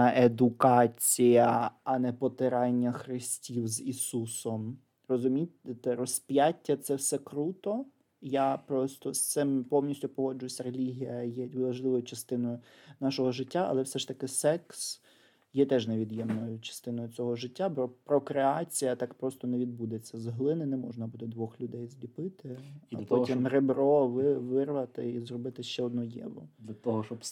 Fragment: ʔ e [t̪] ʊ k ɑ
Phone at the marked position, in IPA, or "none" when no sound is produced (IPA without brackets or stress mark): d̪